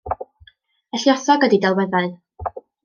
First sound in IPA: ə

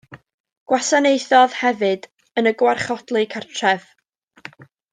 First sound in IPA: ɡ̥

